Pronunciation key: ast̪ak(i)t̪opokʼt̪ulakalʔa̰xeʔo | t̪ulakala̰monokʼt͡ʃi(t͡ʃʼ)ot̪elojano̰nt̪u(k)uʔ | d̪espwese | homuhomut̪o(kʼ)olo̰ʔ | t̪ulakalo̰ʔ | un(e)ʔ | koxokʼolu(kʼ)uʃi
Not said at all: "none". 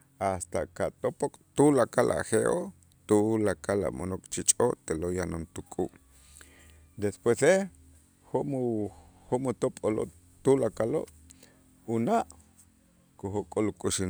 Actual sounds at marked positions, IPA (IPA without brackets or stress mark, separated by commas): a, t͡ʃʼ, kʼ, pʼ, a, kʼ